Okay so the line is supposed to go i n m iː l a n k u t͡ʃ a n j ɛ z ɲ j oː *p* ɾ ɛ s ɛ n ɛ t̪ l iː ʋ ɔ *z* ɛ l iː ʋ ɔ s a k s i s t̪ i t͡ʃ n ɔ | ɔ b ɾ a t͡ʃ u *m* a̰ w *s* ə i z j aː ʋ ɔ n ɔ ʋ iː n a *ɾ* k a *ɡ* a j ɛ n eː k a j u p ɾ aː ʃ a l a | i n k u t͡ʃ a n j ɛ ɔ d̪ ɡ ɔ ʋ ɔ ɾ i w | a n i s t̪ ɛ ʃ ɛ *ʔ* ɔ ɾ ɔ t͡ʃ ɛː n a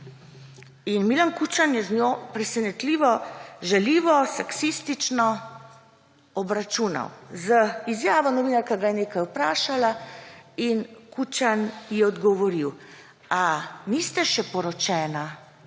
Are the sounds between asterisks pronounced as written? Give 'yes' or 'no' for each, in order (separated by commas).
yes, no, no, no, yes, yes, no